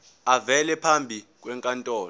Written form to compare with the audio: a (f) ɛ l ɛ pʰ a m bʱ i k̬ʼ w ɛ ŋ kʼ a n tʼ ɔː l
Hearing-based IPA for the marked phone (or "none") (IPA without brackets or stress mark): v